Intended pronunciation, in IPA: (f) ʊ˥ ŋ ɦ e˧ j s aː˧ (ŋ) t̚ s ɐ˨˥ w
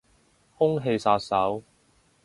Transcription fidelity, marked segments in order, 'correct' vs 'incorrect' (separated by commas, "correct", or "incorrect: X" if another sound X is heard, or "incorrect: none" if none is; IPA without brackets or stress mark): incorrect: h, incorrect: none